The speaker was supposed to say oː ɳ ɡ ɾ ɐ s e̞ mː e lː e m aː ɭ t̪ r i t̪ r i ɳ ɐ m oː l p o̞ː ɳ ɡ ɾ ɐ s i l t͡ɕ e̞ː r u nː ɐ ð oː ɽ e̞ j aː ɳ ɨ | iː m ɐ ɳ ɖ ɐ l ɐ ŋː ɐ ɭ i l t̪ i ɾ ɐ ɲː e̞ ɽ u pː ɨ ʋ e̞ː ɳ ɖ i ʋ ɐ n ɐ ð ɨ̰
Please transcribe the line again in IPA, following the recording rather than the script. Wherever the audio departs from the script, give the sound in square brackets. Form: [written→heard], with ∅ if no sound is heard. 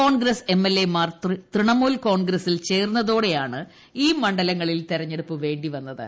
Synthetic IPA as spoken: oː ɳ ɡ ɾ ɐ s e̞ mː e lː e m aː [ɭ→r] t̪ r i t̪ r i ɳ ɐ m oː l [p→k] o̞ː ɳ ɡ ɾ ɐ s i l t͡ɕ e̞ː r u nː ɐ ð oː ɽ e̞ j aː ɳ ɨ | iː m ɐ ɳ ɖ ɐ l ɐ ŋː ɐ ɭ i l t̪ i ɾ ɐ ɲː e̞ ɽ u pː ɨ ʋ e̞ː ɳ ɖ i ʋ ɐ [n→nː] ɐ ð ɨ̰